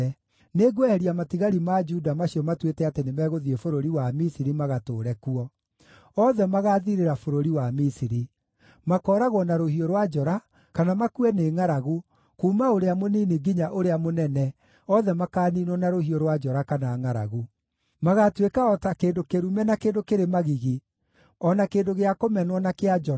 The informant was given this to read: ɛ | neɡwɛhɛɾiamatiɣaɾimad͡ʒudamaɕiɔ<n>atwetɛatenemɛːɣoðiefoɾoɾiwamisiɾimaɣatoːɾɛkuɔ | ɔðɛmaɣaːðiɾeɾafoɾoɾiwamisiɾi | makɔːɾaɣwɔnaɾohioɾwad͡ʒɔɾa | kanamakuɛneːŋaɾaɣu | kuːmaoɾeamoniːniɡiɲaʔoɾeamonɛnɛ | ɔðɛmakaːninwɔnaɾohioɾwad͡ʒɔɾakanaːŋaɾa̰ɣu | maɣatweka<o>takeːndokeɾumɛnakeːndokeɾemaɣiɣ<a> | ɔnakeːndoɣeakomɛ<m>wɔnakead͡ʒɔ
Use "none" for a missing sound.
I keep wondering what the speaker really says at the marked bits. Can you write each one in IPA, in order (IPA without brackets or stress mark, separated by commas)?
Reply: m, ɔ, i, n